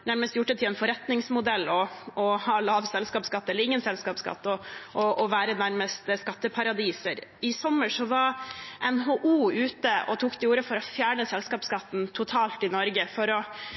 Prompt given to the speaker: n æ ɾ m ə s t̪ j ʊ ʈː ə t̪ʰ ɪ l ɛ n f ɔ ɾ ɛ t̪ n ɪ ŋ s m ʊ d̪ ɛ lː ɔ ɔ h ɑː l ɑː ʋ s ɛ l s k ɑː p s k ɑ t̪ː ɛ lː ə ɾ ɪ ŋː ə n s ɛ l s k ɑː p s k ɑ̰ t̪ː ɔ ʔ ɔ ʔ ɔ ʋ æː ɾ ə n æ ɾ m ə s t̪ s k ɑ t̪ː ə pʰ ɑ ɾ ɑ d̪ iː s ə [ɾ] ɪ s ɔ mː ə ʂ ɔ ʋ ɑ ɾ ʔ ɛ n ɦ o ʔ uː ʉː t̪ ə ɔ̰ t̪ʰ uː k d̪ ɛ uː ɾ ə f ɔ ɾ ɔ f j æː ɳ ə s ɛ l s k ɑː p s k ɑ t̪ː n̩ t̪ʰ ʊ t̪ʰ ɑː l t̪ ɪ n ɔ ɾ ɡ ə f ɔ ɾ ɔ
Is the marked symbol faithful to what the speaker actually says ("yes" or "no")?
yes